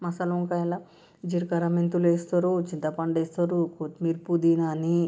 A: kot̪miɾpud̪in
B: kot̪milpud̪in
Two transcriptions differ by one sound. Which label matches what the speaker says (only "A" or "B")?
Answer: A